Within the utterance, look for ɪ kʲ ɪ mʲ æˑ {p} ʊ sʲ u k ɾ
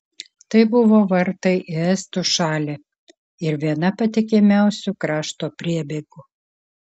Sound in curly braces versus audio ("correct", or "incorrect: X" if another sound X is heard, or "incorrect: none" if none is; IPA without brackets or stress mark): incorrect: none